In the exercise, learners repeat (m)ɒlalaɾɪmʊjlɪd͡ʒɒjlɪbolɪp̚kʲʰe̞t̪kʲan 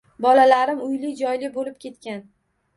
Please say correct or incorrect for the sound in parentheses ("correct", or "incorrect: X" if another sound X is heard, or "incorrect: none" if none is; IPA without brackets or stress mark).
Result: incorrect: b